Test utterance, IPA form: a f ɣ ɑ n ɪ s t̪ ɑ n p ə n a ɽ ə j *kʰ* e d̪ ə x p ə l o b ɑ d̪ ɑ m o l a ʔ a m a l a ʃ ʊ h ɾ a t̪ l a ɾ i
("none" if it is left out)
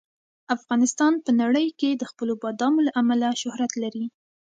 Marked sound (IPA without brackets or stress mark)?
k